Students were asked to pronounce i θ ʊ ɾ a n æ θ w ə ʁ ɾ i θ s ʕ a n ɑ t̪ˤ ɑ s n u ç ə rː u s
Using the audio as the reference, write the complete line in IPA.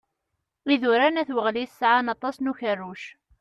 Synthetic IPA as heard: i ð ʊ ɾ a n æ θ w ə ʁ l i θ s ʕ a n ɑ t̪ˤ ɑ s n u ç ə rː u ʃ